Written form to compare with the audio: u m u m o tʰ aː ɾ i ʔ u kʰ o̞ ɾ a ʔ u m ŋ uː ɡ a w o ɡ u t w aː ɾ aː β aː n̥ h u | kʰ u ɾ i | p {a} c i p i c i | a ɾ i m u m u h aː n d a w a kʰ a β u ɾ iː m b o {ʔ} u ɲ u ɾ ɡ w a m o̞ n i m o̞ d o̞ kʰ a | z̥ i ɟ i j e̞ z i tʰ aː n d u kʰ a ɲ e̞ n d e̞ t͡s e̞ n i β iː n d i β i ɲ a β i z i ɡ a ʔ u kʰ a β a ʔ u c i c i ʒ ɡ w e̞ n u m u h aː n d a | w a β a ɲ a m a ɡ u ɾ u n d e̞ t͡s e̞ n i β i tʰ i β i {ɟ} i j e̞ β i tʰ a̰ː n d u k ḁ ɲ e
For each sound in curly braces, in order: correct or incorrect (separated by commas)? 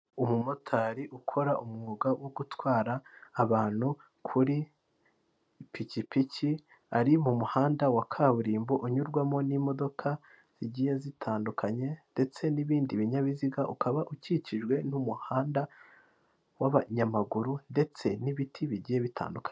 incorrect, correct, correct